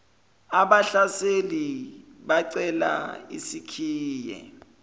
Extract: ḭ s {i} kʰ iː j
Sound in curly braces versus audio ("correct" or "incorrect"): correct